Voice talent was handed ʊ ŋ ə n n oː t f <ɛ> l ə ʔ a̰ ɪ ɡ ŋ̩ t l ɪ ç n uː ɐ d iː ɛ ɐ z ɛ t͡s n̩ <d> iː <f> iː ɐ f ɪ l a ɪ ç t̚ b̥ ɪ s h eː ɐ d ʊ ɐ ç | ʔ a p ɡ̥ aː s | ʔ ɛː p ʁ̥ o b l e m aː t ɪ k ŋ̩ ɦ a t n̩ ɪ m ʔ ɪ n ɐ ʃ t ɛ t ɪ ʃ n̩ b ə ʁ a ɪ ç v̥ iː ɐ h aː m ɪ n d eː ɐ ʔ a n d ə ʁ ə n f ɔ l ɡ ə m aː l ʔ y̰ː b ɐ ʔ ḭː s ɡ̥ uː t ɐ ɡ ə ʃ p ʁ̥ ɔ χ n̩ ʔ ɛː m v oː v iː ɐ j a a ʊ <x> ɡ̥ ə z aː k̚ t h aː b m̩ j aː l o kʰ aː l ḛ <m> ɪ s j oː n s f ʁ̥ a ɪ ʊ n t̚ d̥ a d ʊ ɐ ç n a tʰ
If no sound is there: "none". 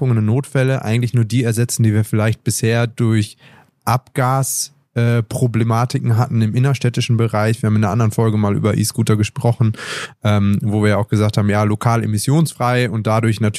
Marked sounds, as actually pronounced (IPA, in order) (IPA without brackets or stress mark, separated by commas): ɛ, d, v, x, m